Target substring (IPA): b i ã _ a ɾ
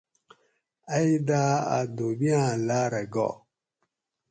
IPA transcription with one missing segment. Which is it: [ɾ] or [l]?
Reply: l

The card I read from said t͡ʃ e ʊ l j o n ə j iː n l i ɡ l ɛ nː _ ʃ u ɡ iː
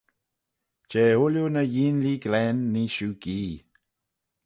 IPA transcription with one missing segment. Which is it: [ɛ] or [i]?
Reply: i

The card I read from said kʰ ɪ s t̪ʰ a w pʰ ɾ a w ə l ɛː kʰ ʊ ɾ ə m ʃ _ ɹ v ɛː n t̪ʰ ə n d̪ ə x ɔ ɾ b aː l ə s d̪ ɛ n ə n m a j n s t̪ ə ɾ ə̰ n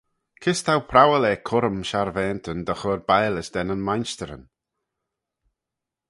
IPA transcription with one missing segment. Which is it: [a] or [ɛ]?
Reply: a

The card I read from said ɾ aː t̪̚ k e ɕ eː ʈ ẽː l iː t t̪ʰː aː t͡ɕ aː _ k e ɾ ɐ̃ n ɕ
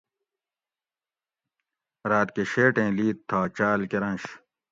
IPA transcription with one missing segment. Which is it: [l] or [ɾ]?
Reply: l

